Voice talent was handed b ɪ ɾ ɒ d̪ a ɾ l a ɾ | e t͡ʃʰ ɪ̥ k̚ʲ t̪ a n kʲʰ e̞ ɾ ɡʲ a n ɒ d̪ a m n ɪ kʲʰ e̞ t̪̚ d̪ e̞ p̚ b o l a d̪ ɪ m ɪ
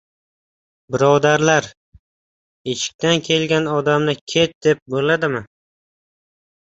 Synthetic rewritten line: b ɪ ɾ ɒ d̪ a ɾ l a ɾ | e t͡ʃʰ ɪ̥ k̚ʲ t̪ a n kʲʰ e̞ l ɡʲ a n ɒ d̪ a m n ɪ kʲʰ e̞ t̪̚ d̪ e̞ p̚ b o l a d̪ ɪ m ɪ